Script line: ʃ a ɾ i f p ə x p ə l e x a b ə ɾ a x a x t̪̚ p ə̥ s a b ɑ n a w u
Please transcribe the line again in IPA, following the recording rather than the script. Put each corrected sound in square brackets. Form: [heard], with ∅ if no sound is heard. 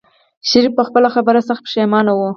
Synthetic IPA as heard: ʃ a ɾ i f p ə x p ə l [a] x a b ə ɾ a [s] a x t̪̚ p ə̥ [ʃ] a [m] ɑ n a w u